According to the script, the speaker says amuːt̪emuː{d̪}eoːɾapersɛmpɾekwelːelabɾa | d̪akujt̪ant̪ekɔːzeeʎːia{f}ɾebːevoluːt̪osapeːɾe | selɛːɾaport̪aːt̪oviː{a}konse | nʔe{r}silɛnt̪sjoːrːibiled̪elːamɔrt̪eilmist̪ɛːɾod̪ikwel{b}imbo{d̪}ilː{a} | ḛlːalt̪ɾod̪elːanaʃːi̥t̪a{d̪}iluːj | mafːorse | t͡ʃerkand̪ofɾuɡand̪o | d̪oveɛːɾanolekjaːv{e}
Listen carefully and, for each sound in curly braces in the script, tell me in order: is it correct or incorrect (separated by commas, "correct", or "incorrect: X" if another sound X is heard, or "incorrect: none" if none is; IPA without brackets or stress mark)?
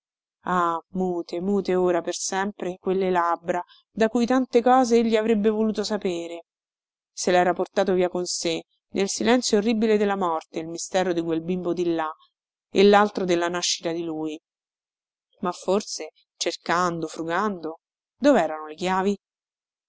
incorrect: t̪, incorrect: v, correct, incorrect: l, correct, correct, correct, correct, incorrect: i